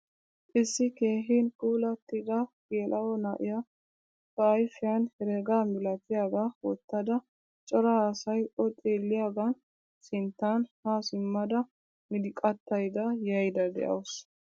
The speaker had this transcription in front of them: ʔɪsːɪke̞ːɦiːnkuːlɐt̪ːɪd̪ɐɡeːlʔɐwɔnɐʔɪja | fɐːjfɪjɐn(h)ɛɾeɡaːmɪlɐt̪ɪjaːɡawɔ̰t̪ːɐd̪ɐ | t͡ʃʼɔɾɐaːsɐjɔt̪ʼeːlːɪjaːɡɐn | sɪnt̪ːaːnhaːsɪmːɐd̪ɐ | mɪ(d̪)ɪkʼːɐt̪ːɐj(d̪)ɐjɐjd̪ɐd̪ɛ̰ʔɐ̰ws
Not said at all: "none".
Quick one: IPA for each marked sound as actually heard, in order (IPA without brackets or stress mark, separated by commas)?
h, d̪, d̪